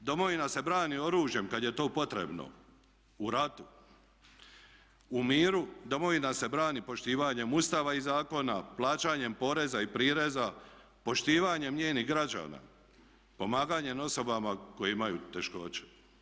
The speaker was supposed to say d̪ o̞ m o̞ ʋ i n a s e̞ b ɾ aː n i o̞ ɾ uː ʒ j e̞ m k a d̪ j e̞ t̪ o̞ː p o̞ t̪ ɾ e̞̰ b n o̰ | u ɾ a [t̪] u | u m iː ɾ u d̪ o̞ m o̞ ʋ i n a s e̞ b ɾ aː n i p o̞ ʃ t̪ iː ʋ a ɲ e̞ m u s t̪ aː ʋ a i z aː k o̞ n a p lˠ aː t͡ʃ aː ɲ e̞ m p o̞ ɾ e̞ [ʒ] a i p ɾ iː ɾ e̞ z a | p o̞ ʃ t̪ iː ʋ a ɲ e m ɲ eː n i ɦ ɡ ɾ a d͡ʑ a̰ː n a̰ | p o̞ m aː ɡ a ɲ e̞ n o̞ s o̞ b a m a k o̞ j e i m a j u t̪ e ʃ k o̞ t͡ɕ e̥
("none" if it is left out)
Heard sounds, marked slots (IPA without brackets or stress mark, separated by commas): t̪, z